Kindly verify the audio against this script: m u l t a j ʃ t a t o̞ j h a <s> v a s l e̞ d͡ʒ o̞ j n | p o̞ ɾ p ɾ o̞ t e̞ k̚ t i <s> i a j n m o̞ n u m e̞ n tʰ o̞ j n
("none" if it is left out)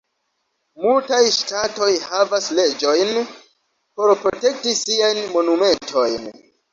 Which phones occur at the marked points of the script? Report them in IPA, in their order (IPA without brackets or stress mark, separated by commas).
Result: none, s